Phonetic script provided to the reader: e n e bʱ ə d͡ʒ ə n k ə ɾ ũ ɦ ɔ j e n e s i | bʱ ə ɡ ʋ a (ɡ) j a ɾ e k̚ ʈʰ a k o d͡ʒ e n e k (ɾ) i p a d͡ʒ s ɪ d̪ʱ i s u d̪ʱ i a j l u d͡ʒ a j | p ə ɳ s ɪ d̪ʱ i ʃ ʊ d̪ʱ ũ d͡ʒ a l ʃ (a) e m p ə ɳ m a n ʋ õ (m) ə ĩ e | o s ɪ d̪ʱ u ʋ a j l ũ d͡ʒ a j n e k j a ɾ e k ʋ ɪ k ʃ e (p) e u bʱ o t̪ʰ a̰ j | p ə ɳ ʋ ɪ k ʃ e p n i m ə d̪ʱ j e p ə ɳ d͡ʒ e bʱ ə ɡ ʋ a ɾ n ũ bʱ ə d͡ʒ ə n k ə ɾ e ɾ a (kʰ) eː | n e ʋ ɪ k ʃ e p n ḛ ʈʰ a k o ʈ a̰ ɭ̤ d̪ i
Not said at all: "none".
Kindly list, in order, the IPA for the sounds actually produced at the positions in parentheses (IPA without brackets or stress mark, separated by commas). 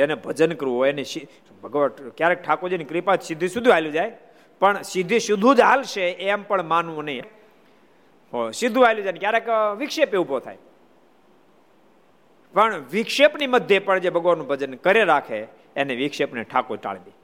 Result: k, ɾ, e, n, p, kʰ